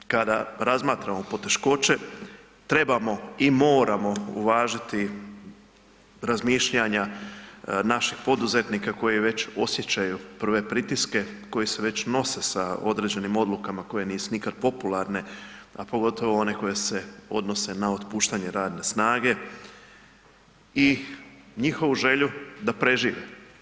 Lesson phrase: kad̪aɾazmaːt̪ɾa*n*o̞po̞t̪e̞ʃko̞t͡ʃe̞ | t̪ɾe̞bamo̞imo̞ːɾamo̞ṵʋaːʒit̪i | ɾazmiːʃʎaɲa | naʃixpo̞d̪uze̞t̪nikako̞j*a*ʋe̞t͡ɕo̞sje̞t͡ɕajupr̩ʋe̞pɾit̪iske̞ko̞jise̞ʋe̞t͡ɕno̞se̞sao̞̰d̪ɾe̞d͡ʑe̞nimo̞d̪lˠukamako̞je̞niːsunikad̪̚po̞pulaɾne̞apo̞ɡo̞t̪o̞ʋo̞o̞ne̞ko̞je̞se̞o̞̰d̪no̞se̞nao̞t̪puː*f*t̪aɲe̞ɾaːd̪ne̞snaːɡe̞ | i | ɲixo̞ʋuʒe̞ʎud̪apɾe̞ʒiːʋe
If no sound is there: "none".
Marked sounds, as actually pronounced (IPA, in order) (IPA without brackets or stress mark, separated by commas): m, i, ʃ